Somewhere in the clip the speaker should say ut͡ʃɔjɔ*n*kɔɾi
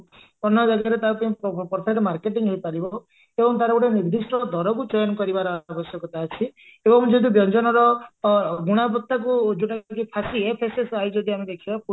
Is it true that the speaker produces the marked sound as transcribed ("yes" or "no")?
yes